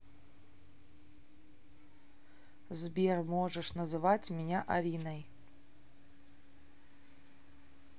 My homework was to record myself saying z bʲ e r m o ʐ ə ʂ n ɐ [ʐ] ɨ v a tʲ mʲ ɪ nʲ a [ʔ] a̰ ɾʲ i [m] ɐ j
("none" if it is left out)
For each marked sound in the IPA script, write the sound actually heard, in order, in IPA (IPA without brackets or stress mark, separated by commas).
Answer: z, ʔ, n